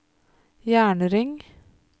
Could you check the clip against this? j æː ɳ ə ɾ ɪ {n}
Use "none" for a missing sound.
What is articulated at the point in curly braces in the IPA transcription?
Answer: ŋ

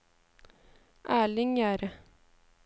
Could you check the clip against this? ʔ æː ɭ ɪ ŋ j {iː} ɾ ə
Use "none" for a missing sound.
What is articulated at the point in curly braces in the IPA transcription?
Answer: æː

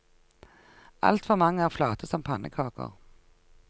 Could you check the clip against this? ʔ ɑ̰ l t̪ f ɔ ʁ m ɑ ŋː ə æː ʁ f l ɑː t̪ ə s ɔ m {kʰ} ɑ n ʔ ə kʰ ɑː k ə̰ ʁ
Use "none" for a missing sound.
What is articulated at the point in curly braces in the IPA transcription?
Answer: pʰ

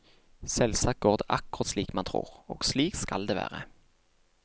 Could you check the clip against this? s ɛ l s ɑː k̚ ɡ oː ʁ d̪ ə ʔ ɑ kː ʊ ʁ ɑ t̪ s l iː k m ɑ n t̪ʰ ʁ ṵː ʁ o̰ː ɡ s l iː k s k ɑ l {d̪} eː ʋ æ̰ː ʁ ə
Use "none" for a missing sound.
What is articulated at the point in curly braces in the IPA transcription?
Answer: d̪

